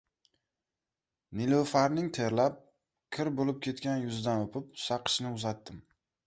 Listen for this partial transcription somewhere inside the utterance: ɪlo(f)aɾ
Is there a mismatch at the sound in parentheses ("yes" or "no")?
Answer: no